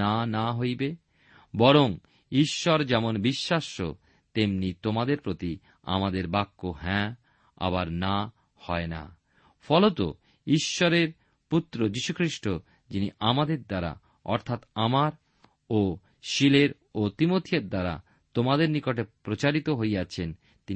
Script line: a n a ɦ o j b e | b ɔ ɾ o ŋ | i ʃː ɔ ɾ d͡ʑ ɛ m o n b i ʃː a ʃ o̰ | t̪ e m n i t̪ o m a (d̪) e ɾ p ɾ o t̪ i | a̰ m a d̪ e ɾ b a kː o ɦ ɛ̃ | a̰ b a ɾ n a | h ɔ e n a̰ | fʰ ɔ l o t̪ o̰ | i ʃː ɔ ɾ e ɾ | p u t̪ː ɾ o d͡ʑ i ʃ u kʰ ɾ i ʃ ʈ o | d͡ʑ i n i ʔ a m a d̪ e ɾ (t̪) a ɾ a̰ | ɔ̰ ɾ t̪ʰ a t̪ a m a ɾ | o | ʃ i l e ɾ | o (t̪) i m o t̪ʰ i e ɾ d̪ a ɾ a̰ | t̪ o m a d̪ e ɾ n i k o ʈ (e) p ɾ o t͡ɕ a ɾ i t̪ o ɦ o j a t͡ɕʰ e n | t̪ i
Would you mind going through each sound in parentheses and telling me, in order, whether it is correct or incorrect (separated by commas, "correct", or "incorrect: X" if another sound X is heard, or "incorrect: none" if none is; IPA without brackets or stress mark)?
correct, incorrect: d̪, correct, correct